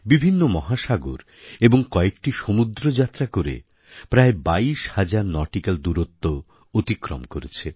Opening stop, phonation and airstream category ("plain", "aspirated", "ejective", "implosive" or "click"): plain